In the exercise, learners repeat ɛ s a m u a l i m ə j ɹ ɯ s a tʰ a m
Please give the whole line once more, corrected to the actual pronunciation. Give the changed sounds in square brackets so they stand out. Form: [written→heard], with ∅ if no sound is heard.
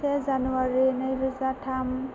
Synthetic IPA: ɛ [s→z] a [m→n] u a [l→ɹ] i [m→n] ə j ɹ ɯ [s→z] a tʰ a m

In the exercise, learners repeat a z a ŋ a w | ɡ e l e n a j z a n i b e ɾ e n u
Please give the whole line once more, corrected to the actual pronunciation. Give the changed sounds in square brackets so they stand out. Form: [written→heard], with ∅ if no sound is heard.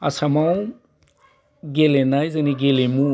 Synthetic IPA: a [z→s] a [ŋ→m] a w | ɡ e l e n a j z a n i [b→ɡ] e [ɾ→l] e [n→m] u

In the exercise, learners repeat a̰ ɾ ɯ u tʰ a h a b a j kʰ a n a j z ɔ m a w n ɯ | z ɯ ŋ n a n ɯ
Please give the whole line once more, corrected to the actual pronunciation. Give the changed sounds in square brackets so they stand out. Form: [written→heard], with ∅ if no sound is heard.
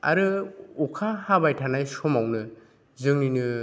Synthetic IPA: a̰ ɾ ɯ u [tʰ→kʰ] a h a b a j [kʰ→tʰ] a n a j [z→s] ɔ m a w n ɯ | z ɯ ŋ n [a→i] n ɯ

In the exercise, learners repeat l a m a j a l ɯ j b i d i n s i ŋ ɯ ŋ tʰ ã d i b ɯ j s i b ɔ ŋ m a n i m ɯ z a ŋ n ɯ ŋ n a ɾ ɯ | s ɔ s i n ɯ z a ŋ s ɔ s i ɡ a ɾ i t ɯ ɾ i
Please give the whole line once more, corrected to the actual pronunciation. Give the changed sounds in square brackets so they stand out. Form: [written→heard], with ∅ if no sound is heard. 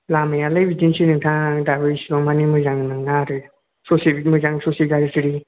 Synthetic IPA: l a m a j a l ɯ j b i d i n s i [ŋ→n] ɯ ŋ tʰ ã d [i→a] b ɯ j s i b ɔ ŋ m a n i m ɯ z a ŋ n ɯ ŋ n a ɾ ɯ | s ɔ s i [n→m] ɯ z a ŋ s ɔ s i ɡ a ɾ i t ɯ ɾ i

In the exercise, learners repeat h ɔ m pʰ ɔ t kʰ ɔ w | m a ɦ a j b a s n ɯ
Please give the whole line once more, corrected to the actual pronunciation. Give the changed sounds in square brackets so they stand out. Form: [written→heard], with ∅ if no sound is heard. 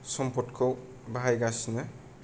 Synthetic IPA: [h→s] ɔ m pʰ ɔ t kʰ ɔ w | [m→b] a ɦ a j [b→ɡ] a s n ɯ

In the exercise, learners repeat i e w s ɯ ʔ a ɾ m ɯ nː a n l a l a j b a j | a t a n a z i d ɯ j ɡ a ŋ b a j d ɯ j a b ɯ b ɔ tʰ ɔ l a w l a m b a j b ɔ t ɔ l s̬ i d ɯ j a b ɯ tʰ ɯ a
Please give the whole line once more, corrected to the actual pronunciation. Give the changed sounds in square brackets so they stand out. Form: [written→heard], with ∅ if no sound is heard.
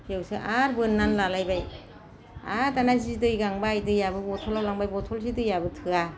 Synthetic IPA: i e w s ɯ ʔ a ɾ [m→b] ɯ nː a n l a l a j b a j | a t a n a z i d ɯ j ɡ a ŋ b a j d ɯ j a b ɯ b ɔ tʰ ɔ l a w l a [m→ŋ] b a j b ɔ [t→tʰ] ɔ l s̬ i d ɯ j a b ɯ tʰ ɯ a

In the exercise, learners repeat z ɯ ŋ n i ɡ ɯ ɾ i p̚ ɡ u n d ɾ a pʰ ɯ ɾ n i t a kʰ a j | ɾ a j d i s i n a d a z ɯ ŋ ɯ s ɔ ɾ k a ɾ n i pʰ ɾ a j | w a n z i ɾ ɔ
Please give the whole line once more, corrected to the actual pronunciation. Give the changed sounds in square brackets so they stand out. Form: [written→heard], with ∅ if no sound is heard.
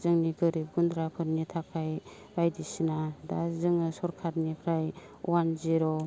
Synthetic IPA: z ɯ ŋ n i ɡ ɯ ɾ i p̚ ɡ u n d ɾ a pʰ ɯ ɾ n i [t→tʰ] a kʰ a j | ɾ a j d i s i n a d a z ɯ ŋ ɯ s ɔ ɾ [k→kʰ] a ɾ n i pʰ ɾ a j | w a n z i ɾ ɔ

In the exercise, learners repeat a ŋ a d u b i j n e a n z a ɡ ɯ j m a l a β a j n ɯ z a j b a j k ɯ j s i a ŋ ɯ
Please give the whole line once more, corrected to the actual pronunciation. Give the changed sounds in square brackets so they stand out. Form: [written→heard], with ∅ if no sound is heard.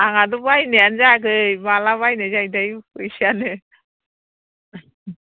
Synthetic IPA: a ŋ a d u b [i→a] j n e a n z a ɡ ɯ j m a l a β a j n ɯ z a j [b→d] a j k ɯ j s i a [ŋ→n] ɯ

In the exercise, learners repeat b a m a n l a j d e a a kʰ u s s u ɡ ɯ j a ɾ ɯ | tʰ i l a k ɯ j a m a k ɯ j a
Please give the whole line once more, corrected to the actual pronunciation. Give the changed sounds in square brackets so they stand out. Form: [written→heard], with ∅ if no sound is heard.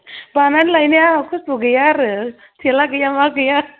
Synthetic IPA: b a [m→n] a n l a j [d→n] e a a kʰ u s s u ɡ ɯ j a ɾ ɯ | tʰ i l a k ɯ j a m a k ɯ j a

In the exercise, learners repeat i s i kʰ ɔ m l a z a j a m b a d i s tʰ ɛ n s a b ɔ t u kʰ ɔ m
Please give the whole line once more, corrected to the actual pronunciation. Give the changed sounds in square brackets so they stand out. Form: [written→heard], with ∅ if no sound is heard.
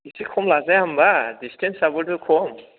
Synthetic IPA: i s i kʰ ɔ m l a z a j a m b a d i s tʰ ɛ n s a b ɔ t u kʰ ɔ m

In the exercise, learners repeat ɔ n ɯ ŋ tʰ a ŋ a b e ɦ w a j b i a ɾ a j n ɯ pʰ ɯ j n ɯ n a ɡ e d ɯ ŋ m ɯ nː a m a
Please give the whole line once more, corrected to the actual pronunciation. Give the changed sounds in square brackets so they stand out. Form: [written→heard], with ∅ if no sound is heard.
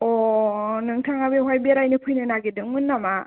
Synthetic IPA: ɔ n ɯ ŋ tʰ a ŋ a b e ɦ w a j b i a ɾ a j n ɯ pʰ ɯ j n ɯ n a ɡ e d ɯ ŋ m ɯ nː a m a

